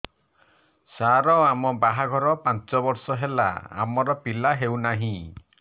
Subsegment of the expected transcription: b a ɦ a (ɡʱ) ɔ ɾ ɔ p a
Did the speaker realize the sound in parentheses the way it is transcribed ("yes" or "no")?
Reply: yes